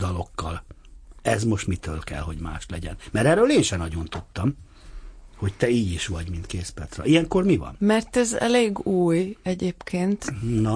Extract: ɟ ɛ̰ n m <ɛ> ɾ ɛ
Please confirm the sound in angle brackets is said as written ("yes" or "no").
yes